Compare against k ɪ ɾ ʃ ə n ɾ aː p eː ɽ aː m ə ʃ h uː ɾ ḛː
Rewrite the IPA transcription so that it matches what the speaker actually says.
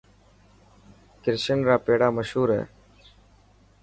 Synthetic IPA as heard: k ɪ ɾ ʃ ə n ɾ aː p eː ɽ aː m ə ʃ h uː ɾ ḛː